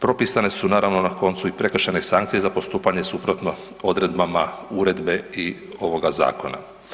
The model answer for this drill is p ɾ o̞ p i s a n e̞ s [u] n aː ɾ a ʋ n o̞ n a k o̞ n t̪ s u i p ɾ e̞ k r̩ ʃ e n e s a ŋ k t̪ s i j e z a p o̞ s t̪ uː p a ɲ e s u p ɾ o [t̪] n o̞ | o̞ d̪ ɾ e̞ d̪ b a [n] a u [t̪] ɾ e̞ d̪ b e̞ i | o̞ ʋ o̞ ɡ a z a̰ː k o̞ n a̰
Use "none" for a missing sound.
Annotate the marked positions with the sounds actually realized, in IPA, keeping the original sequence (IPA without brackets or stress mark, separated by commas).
u, t̪, m, none